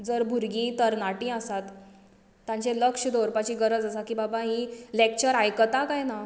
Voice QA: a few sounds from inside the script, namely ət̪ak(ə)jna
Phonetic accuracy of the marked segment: incorrect: a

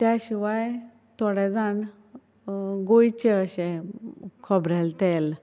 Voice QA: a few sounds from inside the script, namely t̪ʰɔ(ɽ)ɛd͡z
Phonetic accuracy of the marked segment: correct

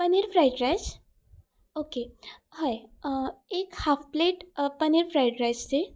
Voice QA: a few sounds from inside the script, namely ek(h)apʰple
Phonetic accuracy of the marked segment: correct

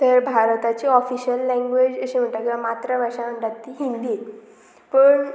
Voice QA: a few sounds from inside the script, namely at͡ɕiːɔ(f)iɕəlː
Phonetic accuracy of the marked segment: correct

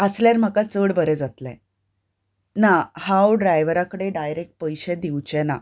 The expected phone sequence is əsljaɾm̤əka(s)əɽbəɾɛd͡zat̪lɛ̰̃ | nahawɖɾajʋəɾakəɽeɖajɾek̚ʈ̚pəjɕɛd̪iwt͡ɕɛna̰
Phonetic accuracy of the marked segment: incorrect: t͡s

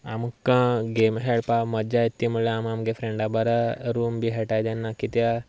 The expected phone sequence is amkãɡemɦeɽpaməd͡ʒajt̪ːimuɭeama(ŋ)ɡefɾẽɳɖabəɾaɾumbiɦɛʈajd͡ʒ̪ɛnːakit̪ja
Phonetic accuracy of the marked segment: incorrect: m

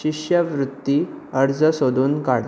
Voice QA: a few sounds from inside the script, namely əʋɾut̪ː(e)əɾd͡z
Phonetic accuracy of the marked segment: incorrect: i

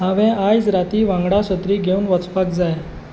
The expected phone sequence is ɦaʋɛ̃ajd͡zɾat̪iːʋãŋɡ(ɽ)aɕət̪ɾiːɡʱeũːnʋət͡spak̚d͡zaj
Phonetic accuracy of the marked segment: correct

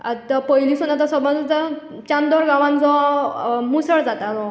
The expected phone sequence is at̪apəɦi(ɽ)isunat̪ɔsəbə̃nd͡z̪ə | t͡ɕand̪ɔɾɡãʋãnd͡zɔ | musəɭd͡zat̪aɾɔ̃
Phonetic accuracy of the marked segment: incorrect: l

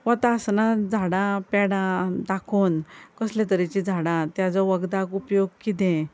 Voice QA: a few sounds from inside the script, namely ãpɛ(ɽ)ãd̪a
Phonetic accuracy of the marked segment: correct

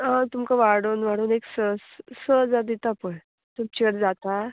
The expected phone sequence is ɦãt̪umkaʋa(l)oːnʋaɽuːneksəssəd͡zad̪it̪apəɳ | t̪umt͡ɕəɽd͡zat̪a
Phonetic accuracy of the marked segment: incorrect: ɽ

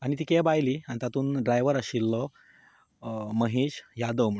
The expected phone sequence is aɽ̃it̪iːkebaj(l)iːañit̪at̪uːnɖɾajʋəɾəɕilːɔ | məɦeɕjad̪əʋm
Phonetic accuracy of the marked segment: correct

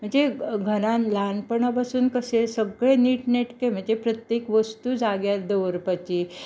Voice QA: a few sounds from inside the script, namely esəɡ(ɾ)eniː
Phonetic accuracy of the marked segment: incorrect: ɭ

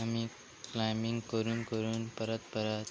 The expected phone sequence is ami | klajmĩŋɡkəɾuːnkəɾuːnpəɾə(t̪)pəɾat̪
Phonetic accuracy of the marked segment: correct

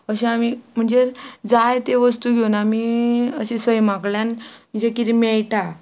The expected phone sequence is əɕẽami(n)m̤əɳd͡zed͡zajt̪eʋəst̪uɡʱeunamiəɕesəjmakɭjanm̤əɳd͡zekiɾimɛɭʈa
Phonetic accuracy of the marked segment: incorrect: none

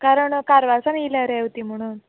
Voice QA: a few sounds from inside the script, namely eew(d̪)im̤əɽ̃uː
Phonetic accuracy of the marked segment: incorrect: t̪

